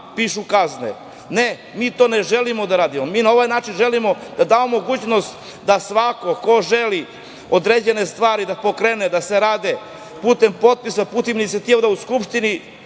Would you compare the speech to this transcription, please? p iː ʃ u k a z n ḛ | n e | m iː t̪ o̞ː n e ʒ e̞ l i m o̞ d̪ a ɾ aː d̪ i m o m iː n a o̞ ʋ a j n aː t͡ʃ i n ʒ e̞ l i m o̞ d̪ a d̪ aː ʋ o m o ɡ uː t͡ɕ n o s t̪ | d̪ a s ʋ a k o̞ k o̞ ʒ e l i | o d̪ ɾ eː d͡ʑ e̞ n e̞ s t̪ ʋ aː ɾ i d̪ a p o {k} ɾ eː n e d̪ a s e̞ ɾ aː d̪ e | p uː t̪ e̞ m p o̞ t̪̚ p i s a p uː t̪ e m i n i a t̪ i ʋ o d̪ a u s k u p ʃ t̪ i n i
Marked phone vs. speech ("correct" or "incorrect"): correct